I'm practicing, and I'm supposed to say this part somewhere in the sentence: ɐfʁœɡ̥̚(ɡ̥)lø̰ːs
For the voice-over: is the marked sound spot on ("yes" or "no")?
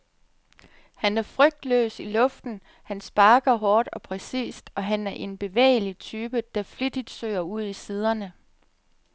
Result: no